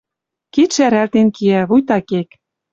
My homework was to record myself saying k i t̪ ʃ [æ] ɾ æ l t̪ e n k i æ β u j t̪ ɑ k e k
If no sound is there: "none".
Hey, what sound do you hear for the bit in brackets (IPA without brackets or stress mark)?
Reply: æ